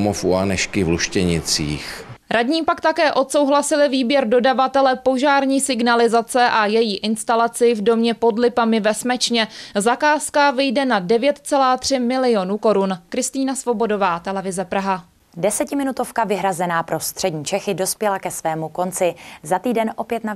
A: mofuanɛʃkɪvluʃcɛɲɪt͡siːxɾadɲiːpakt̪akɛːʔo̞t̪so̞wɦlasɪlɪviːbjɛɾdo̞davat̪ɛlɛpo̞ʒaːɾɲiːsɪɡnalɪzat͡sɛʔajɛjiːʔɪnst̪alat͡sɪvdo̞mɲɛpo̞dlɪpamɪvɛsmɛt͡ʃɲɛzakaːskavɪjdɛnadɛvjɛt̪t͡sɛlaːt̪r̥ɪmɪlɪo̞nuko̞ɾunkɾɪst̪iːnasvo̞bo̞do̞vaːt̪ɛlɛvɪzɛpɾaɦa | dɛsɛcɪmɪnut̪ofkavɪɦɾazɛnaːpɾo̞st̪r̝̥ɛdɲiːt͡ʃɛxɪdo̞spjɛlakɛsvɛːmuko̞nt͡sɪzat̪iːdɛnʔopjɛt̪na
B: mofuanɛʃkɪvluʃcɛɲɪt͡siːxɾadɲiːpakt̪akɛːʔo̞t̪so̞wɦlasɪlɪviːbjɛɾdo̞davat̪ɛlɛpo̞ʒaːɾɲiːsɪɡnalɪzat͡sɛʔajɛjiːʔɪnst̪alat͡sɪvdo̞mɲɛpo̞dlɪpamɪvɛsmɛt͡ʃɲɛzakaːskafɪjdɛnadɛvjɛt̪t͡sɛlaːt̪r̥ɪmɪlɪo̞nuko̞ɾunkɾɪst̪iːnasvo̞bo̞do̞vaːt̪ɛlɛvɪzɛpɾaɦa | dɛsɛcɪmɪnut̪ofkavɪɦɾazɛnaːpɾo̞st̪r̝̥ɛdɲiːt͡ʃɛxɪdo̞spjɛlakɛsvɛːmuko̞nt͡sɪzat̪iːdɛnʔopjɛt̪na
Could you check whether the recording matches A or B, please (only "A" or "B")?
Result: A